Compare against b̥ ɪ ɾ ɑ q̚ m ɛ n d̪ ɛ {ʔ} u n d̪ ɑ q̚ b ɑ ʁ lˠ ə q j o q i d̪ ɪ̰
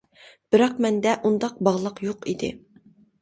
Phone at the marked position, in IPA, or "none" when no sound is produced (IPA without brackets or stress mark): ʔ